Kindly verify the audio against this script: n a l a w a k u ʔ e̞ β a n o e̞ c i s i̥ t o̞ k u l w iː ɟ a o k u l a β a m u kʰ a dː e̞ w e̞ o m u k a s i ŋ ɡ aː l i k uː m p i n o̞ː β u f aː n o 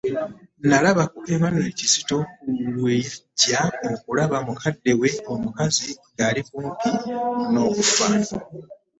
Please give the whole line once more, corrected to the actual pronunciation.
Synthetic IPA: n a l a β a k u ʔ e̞ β a n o e̞ c i s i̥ t o̞ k u l w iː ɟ a o k u l a β a m u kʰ a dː e̞ w e̞ o m u k a z i ŋ ɡ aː l i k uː m p i n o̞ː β u f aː n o